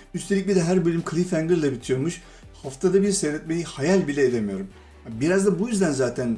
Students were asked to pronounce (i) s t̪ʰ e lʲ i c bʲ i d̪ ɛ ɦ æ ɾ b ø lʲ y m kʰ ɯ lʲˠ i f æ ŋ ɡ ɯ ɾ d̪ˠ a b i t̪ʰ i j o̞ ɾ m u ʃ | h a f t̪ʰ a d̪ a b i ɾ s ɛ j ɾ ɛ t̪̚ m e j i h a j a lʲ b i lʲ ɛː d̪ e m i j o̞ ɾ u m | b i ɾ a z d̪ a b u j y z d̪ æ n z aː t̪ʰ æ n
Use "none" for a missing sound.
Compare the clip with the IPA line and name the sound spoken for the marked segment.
y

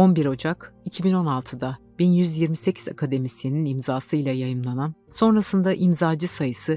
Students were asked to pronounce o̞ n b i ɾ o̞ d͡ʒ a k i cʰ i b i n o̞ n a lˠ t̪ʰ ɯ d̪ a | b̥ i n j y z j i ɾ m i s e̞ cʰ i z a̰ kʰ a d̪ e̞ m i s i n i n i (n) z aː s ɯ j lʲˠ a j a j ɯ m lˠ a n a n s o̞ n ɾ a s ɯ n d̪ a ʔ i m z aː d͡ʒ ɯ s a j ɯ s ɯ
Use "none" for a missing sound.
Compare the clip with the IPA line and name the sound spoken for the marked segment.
m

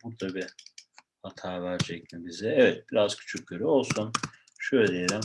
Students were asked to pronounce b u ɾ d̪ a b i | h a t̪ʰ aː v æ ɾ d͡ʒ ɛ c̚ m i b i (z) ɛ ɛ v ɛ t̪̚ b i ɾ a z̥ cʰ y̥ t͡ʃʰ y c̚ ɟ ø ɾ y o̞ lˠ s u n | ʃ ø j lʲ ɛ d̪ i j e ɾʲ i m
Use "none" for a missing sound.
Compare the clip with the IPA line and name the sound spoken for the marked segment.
z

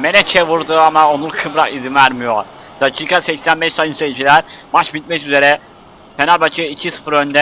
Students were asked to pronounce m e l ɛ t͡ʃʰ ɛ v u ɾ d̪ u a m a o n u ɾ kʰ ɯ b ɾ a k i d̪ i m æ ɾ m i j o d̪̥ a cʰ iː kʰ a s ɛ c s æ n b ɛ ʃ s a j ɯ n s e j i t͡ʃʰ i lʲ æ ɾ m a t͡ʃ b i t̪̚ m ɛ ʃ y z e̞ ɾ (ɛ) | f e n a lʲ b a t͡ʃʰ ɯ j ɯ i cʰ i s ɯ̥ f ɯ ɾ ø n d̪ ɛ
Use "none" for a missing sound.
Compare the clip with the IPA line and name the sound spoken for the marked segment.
ɛ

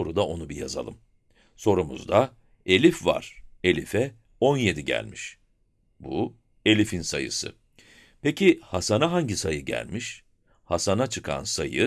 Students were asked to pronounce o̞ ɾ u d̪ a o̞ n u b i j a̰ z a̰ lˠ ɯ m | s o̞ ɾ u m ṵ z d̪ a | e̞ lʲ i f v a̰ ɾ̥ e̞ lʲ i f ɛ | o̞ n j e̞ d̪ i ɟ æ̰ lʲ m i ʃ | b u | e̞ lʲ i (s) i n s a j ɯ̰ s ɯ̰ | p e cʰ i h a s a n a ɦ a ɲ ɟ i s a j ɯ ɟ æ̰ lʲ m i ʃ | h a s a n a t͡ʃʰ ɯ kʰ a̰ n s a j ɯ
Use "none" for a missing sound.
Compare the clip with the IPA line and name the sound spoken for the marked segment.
f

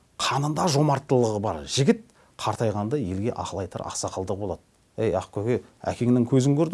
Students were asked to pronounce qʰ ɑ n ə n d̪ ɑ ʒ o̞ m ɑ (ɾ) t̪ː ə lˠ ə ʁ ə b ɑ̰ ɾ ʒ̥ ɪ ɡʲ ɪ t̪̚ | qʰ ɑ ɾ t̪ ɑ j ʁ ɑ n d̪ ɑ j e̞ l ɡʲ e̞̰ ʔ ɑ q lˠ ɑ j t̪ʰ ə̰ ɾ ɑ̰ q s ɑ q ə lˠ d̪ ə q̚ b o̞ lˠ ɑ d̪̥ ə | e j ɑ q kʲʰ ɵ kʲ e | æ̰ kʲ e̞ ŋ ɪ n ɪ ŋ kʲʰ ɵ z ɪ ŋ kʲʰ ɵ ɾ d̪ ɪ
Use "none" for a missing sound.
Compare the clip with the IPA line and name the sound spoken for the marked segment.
ɾ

